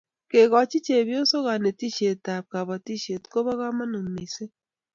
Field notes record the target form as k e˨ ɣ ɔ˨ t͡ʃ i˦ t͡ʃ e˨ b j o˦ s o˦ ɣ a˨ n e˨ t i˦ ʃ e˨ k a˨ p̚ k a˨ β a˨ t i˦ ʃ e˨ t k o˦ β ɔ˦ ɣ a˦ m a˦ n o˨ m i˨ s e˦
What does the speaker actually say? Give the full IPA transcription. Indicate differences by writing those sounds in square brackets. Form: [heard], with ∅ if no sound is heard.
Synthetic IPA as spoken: k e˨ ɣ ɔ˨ t͡ʃ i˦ t͡ʃ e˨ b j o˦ s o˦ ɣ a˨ n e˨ t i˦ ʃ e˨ [t] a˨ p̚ k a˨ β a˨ t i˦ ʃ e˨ t k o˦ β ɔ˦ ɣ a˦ m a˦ n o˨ m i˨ s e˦